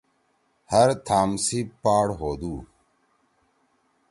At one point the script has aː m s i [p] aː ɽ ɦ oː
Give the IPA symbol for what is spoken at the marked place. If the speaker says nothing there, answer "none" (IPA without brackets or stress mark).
p